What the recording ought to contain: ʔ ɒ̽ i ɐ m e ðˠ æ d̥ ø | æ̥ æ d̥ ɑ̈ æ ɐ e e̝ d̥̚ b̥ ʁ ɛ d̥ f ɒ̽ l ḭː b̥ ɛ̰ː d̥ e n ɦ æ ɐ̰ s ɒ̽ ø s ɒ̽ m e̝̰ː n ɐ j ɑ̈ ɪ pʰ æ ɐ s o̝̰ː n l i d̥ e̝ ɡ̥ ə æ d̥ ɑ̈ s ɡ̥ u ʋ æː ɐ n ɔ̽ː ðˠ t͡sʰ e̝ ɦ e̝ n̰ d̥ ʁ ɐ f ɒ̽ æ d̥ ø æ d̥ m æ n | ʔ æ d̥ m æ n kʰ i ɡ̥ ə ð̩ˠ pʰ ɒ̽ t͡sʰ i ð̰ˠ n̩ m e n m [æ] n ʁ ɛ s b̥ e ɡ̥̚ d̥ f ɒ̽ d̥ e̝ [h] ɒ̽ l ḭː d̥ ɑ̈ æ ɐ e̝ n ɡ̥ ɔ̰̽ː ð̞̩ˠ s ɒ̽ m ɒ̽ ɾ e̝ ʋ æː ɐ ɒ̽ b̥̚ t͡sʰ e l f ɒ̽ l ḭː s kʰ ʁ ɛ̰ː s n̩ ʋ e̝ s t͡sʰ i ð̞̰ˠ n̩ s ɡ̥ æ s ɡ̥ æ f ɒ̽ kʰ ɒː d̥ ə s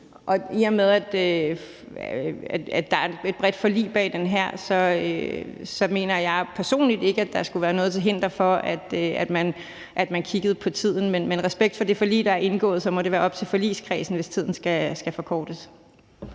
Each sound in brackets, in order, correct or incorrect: incorrect, incorrect

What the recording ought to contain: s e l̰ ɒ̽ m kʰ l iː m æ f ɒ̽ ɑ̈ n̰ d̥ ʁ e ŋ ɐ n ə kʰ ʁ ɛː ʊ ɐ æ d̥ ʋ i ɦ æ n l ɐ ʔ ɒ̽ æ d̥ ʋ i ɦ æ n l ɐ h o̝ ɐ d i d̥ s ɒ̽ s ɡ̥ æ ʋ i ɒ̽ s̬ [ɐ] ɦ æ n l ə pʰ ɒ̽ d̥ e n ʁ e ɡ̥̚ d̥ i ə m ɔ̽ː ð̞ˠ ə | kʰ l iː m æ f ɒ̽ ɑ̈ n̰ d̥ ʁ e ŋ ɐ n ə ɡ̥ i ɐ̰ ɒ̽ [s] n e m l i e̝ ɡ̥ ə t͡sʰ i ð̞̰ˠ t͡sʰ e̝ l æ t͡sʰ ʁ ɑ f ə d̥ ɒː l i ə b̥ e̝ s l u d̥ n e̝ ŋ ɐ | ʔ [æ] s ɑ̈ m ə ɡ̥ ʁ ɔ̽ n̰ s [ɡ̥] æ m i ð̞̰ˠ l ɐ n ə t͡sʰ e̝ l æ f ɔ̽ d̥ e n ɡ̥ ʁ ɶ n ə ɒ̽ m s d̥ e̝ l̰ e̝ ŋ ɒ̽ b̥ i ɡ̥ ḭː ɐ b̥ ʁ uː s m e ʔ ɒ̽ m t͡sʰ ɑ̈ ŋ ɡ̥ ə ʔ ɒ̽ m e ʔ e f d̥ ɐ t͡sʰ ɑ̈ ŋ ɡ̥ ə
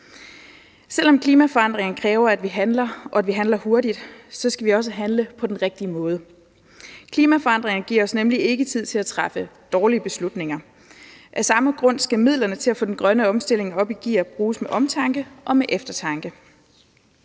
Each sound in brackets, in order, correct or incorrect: incorrect, correct, correct, correct

